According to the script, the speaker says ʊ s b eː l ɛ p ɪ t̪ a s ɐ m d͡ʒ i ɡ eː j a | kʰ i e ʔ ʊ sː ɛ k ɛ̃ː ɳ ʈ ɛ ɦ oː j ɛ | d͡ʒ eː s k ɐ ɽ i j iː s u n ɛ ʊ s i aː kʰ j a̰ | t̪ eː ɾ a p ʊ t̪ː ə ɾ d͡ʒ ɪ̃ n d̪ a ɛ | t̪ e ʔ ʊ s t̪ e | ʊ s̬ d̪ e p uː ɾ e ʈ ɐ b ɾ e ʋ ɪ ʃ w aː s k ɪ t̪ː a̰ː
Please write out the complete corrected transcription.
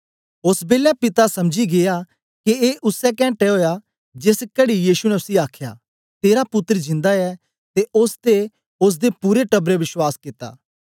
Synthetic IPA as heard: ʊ s b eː l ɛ p ɪ t̪ a s ɐ m d͡ʒ i ɡ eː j a | k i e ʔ ʊ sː ɛ k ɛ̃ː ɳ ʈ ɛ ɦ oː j a | d͡ʒ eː s k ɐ ɽ i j iː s u n ɛ ʊ s i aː kʰ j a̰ | t̪ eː ɾ a p ʊ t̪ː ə ɾ d͡ʒ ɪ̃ n d̪ a ɛ | t̪ e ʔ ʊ s t̪ e | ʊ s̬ d̪ e p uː ɾ e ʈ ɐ b ɾ e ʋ ɪ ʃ w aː s k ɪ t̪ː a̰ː

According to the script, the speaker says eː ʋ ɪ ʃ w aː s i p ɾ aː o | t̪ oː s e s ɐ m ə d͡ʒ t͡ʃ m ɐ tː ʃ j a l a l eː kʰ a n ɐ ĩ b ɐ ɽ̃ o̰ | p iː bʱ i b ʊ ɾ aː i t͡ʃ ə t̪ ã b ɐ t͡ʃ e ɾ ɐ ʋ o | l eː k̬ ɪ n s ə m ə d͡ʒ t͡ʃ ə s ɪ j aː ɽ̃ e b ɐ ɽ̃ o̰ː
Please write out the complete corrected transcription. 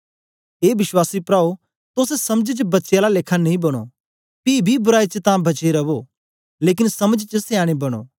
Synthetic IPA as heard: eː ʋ ɪ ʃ w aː s i p ɾ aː o | t̪ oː s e s ɐ m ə d͡ʒ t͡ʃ b ɐ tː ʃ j a l a l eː kʰ a n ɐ ĩ b ɐ ɽ̃ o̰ | p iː bʱ i b ʊ ɾ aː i t͡ʃ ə t̪ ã b ɐ t͡ʃ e ɾ ɐ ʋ o | l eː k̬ ɪ n s ɐ m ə d͡ʒ t͡ʃ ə s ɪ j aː ɽ̃ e b ɐ ɽ̃ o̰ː

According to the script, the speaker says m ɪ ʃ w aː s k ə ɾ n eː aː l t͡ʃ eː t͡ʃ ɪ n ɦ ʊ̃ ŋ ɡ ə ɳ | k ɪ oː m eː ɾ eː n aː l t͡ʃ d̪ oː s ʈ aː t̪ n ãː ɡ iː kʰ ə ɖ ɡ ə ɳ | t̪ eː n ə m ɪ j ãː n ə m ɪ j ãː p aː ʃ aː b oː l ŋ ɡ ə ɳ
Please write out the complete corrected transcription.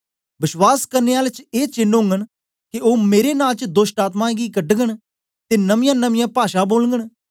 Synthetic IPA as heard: b ɪ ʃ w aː s k ə ɾ n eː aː l t͡ʃ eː t͡ʃ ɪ n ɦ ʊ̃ ŋ ɡ ə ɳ | k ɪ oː m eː ɾ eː n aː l t͡ʃ d̪ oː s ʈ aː t̪ m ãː ɡ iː k ə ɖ ɡ ə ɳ | t̪ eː n ə m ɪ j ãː n ə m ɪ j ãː p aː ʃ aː b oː l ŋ ɡ ə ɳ

